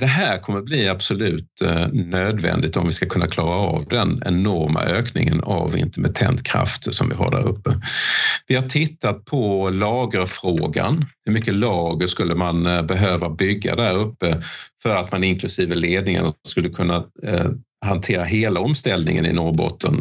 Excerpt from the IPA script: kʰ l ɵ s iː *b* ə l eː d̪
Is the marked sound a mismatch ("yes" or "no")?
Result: yes